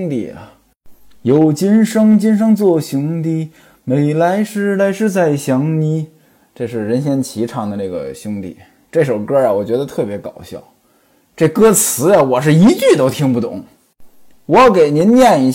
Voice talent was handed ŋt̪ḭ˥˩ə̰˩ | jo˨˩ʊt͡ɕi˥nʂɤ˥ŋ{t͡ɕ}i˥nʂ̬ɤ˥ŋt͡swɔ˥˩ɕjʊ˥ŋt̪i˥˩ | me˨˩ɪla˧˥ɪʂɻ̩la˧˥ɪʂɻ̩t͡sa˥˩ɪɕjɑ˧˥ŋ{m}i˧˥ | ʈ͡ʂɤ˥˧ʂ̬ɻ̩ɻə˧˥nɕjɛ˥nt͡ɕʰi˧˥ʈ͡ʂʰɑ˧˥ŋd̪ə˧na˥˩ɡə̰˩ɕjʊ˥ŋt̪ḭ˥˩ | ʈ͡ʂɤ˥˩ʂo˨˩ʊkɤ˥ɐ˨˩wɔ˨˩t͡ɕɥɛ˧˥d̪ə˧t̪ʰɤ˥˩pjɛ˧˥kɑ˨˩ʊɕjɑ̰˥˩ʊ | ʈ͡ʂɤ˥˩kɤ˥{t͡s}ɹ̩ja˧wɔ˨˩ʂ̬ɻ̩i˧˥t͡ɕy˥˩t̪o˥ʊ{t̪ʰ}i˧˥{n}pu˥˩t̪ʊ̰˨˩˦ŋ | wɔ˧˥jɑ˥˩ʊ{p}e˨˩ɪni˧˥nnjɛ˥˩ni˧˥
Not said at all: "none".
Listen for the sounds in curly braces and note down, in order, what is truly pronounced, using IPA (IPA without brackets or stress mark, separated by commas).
t͡ɕ, n, t͡sʰ, t̪ʰ, ŋ, k